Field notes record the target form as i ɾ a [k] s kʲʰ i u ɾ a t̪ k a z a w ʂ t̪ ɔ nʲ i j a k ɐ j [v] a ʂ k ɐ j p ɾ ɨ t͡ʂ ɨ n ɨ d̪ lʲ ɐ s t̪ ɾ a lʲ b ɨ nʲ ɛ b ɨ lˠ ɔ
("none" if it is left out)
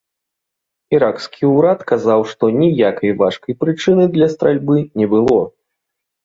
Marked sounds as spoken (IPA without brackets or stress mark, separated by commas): k, v